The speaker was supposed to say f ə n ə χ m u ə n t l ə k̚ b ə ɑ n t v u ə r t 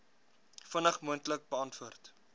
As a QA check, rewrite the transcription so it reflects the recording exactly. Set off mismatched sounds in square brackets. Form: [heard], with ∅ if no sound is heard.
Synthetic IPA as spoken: f ə n ə χ m u ə n t l ə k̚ b ə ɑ n t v u ə r t